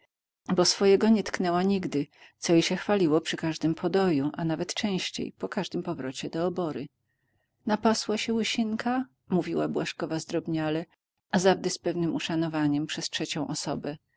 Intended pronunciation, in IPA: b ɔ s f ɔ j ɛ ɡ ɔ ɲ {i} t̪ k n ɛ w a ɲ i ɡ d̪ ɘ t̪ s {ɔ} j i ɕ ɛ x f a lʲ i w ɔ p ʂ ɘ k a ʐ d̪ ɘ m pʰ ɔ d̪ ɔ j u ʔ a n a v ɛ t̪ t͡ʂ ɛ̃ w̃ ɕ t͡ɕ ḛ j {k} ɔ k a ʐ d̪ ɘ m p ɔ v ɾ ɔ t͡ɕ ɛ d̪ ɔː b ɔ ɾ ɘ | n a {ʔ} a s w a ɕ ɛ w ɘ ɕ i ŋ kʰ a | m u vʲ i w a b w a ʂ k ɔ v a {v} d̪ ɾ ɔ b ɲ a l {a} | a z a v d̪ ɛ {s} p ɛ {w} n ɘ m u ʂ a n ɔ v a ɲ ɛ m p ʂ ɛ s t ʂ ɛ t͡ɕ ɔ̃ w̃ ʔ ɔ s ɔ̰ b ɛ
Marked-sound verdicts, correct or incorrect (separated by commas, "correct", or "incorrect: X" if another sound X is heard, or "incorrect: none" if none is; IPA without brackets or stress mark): incorrect: ɛ, correct, incorrect: p, incorrect: p, incorrect: z, incorrect: ɛ, correct, incorrect: v